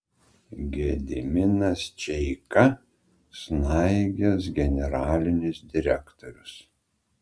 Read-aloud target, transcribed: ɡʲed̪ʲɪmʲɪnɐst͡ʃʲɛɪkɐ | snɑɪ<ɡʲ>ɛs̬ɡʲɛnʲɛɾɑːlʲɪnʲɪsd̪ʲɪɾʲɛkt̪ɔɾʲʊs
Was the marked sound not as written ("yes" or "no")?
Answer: no